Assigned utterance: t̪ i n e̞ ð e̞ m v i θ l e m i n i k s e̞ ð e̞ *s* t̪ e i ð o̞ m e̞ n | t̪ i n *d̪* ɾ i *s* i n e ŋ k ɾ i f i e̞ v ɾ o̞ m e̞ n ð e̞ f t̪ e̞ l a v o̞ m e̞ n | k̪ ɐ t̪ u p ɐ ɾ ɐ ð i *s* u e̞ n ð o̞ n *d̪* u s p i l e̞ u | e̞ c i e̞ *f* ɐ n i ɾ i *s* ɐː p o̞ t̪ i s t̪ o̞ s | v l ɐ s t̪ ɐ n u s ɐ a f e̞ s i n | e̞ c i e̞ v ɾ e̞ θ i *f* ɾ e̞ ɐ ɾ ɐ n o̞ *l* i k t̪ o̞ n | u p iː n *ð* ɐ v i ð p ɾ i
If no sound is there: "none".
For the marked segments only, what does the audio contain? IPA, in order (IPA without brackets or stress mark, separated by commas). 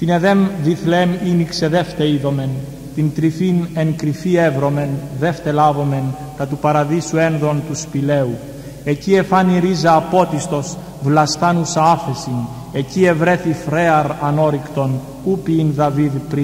f, t̪, f, s, t̪, f, z, f, ɾ, ð